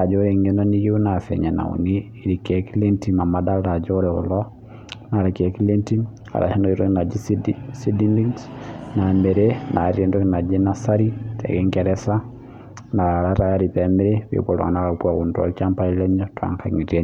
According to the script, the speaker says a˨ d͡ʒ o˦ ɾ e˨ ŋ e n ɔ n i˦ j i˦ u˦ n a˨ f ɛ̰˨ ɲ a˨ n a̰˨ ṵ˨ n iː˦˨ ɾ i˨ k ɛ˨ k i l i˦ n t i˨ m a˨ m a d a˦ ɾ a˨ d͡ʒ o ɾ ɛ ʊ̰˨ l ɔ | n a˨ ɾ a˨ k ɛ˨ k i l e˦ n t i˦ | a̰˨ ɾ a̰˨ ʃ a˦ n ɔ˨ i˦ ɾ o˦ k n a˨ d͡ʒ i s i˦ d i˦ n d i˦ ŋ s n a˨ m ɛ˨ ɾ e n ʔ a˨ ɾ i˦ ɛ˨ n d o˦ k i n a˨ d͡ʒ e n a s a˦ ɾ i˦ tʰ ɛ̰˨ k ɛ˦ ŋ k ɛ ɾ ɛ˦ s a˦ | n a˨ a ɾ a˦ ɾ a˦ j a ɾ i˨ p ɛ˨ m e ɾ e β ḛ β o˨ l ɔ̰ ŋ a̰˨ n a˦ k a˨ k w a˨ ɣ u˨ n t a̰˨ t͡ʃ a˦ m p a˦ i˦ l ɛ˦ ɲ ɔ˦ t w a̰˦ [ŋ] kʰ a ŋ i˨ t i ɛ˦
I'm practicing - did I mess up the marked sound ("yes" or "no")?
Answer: no